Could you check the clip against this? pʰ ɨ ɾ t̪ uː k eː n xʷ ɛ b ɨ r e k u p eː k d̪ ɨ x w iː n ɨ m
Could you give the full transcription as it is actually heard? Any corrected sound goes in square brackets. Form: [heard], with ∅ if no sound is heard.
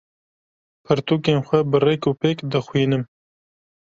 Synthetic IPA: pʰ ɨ ɾ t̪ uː k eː n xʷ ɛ b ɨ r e k u p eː k d̪ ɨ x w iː n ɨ m